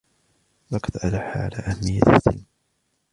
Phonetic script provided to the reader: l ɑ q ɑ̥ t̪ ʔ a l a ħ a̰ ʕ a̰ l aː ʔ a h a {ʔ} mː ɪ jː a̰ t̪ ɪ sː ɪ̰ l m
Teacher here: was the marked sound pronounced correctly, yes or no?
no